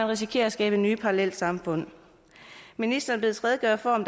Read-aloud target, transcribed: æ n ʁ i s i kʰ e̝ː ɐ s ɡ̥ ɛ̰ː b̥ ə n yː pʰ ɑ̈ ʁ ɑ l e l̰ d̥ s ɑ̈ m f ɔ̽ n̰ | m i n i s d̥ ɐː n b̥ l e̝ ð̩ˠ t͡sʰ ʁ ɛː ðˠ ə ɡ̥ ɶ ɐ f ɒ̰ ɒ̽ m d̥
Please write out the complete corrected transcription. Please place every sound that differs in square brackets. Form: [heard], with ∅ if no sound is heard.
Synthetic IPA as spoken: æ n ʁ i s i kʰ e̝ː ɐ s ɡ̥ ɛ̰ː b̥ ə n yː pʰ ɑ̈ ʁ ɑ l e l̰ d̥ s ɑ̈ m f ɔ̽ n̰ | m i n i s d̥ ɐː n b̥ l e̝ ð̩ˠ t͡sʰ ʁ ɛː ðˠ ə ɡ̥ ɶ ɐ f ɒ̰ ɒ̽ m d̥

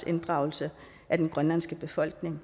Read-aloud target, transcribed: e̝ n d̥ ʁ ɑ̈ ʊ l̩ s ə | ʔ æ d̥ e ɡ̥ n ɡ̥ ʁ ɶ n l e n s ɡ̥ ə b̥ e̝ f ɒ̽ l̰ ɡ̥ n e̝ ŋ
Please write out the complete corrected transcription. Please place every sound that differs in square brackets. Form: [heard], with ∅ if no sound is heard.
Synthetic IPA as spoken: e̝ n d̥ ʁ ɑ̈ ʊ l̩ s ə | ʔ æ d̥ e [∅] n ɡ̥ ʁ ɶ n l [æ] n s ɡ̥ ə b̥ e̝ f ɒ̽ l̰ ɡ̥ n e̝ ŋ

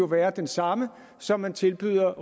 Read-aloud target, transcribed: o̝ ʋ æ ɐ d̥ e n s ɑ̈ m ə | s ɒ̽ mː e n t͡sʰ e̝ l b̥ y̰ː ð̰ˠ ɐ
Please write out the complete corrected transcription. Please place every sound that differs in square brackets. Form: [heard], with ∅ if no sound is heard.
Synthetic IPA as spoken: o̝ ʋ [æː] ɐ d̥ e n s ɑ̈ m ə | s ɒ̽ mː [æ] n t͡sʰ e̝ l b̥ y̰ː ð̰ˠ ɐ

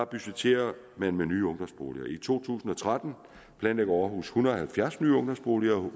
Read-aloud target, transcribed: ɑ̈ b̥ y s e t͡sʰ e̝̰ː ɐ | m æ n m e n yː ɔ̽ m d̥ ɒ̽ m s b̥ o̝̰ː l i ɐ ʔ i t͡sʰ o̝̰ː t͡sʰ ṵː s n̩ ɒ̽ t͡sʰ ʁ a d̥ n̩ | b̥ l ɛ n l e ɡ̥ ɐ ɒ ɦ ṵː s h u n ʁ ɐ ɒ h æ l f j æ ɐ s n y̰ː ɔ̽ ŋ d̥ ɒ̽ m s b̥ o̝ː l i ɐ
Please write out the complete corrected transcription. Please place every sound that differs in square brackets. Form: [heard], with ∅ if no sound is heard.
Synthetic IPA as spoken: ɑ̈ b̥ y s e t͡sʰ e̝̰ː ɐ | m æ n m e n yː ɔ̽ [ŋ] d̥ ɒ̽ m s b̥ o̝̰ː l i ɐ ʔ i t͡sʰ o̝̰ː t͡sʰ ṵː s n̩ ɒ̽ t͡sʰ ʁ a d̥ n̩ | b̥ l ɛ n l e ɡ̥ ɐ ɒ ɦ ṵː s h u n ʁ ɐ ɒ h æ l f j æ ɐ s n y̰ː ɔ̽ ŋ d̥ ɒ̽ m s b̥ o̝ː l i ɐ

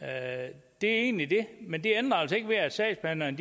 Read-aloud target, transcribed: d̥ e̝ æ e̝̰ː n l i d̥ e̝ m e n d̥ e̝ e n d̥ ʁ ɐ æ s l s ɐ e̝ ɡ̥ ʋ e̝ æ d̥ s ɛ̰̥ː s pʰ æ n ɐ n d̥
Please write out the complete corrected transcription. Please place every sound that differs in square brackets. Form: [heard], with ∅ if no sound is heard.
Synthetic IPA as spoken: d̥ e̝ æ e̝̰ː n l i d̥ e̝ m e n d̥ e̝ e n d̥ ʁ ɐ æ [∅] l s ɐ e̝ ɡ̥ ʋ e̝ æ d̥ s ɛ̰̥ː s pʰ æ n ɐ n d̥

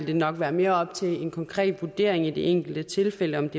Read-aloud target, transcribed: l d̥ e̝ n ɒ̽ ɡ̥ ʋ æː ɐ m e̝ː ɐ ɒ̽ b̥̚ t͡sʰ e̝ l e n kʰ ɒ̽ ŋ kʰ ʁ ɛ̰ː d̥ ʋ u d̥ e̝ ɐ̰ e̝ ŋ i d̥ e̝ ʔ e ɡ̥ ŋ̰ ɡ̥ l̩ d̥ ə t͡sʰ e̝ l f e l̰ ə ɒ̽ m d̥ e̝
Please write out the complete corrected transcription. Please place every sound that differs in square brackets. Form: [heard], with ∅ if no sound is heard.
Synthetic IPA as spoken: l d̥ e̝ n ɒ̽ ɡ̥ ʋ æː ɐ m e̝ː ɐ ɒ̽ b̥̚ t͡sʰ e̝ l e n kʰ ɒ̽ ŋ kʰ ʁ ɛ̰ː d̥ ʋ u d̥ e̝ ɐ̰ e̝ ŋ i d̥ e̝ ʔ e [∅] ŋ̰ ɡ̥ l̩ d̥ ə t͡sʰ e̝ l f e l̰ ə ɒ̽ m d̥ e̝

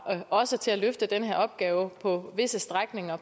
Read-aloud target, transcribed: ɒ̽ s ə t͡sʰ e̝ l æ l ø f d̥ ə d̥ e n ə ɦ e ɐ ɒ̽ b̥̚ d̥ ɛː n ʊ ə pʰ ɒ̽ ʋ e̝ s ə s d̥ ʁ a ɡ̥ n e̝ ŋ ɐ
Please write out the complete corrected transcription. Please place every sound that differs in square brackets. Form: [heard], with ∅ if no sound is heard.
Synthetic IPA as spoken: ɒ̽ s ə t͡sʰ e̝ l æ l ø f d̥ ə d̥ e n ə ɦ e ɐ ɒ̽ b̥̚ [ɡ̥] ɛː [∅] ʊ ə pʰ ɒ̽ ʋ e̝ s ə s d̥ ʁ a ɡ̥ n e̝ ŋ ɐ

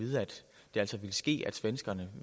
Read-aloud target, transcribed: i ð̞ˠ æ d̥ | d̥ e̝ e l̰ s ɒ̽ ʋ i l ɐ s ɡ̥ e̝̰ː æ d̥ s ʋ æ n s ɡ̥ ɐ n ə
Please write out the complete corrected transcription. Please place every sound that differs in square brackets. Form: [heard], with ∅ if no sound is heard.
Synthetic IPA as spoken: i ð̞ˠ æ d̥ | d̥ e̝ [æ] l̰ s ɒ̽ ʋ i l [ə] s ɡ̥ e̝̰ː æ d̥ s ʋ [e] n s ɡ̥ ɐ n ə

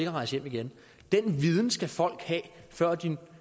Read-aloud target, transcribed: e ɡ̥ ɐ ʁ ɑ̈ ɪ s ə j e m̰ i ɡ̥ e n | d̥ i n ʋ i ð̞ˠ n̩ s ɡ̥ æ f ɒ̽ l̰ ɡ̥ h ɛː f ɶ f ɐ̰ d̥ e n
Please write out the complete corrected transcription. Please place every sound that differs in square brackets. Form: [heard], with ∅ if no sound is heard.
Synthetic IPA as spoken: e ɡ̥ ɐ ʁ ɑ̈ ɪ s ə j e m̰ i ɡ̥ e n | d̥ [e] n ʋ i ð̞ˠ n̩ s ɡ̥ æ f ɒ̽ l̰ ɡ̥ h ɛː f ɶ [∅] ɐ̰ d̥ [i] n

